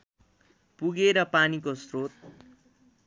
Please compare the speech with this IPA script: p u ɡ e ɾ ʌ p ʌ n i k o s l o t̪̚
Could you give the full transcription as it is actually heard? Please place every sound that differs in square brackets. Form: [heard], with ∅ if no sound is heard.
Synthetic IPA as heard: p u ɡ e ɾ ʌ p [a] n i k o s [r] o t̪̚

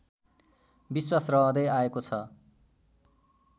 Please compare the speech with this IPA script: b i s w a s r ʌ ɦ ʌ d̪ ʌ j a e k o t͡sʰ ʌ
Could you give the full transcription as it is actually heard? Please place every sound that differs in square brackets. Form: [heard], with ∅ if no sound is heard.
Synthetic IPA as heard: b i s w a s r ʌ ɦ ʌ d̪ ʌ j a e k o t͡sʰ ʌ

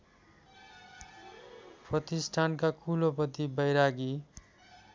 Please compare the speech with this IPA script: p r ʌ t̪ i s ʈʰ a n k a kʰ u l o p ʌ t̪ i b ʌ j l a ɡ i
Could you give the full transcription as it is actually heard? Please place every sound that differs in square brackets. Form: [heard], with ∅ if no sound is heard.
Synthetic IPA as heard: p r ʌ t̪ i s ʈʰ a n k a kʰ u l o p ʌ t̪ i b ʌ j [ɾ] a ɡ i

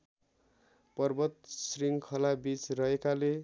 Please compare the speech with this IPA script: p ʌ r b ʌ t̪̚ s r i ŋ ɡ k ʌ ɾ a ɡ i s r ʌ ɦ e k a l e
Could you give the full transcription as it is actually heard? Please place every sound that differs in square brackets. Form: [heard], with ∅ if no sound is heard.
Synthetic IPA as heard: p ʌ r b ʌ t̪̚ s r i ŋ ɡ [kʰ] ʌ [l] a [b] i [t͡s] r ʌ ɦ e k a l e

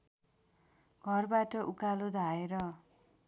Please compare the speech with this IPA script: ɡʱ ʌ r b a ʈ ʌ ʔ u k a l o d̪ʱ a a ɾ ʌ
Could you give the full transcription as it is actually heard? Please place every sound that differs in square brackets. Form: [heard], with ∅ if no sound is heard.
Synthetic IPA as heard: ɡʱ ʌ r b a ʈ ʌ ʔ u k a l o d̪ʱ a [e] ɾ ʌ

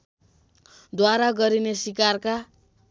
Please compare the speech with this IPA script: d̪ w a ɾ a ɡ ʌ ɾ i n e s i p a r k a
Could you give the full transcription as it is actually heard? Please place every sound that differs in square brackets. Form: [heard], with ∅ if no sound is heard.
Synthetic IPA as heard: d̪ w a ɾ a ɡ ʌ ɾ i n e s i [k] a r k a

